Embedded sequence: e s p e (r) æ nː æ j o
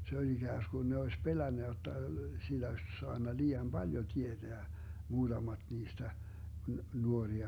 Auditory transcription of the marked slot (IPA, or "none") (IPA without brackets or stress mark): l